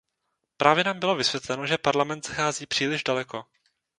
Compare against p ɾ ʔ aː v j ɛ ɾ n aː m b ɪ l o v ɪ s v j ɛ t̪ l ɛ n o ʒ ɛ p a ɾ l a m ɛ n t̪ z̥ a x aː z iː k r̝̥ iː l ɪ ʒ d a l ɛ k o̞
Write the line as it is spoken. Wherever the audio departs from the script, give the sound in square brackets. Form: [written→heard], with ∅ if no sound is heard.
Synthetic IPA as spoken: p ɾ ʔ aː v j ɛ [ɾ→∅] n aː m b ɪ l o v ɪ s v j ɛ t̪ l ɛ n o ʒ ɛ p a ɾ l a m ɛ n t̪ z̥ a x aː z iː [k→p] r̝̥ iː l ɪ ʒ d a l ɛ k o̞

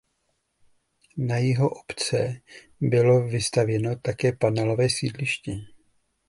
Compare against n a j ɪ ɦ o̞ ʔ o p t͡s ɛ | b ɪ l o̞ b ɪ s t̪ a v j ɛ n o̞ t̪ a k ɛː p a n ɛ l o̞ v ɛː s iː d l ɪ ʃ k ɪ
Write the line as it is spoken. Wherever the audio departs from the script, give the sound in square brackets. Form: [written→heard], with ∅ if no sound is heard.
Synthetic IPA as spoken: n a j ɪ ɦ o̞ ʔ o p t͡s ɛ | b ɪ l o̞ [b→v] ɪ s t̪ a v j ɛ n o̞ t̪ a k ɛː p a n ɛ l o̞ v ɛː s iː d l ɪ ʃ [k→c] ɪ

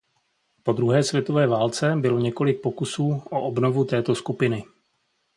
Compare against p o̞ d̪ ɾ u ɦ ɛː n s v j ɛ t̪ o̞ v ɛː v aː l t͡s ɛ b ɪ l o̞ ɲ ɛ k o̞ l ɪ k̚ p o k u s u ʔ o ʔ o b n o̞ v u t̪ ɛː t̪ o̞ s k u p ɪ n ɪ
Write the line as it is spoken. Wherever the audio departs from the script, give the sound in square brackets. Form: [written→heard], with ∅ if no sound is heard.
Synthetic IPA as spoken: p o̞ d̪ ɾ u ɦ ɛː [n→∅] s v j ɛ t̪ o̞ v ɛː v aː l t͡s ɛ b ɪ l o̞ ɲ ɛ k o̞ l ɪ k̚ p o k u s [u→uː] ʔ o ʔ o b n o̞ v u t̪ ɛː t̪ o̞ s k u p ɪ n ɪ

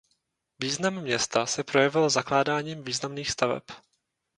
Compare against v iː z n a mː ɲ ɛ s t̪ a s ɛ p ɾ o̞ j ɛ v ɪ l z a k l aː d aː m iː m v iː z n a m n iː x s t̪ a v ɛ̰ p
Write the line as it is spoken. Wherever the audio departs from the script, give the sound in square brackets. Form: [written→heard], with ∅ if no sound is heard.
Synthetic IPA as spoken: v iː z n a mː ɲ ɛ s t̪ a s ɛ p ɾ o̞ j ɛ v ɪ l z a k l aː d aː [m→ɲ] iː m v iː z n a m n iː x s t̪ a v ɛ̰ p

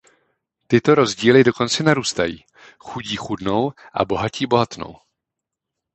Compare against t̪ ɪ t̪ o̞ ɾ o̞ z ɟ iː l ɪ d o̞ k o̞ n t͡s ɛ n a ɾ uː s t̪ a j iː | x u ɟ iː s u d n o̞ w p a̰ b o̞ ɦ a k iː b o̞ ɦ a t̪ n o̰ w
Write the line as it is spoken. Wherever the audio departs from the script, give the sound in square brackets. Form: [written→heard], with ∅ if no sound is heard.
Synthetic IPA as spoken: t̪ ɪ t̪ o̞ ɾ o̞ z ɟ iː l ɪ d o̞ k o̞ n t͡s ɛ n a ɾ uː s t̪ a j iː | x u ɟ iː [s→x] u d n o̞ w [p→ʔ] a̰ b o̞ ɦ a [k→c] iː b o̞ ɦ a t̪ n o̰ w

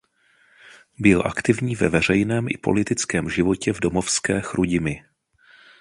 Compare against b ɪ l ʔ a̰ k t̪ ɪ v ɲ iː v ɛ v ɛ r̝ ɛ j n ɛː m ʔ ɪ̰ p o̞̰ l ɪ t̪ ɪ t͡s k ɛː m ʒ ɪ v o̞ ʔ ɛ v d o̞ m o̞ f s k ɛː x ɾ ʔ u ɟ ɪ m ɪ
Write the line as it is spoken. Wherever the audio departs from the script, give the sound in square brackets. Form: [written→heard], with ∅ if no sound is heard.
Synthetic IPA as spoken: b ɪ l ʔ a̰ k t̪ ɪ v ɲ iː v ɛ v ɛ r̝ ɛ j n ɛː m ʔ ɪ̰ p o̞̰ l ɪ t̪ ɪ t͡s k ɛː m ʒ ɪ v o̞ [ʔ→c] ɛ v d o̞ m o̞ f s k ɛː x ɾ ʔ u ɟ ɪ m ɪ

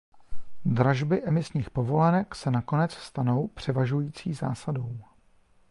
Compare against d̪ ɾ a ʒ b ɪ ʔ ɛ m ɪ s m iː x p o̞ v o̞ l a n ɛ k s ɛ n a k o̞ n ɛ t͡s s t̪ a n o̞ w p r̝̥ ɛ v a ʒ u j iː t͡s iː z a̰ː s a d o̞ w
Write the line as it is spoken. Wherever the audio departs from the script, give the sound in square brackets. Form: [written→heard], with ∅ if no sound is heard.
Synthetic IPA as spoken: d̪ ɾ a ʒ b ɪ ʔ ɛ m ɪ s [m→ɲ] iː x p o̞ v o̞ l [a→ɛ] n ɛ k s ɛ n a k o̞ n ɛ t͡s s t̪ a n o̞ w p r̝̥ ɛ v a ʒ u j iː t͡s iː z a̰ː s a d o̞ w

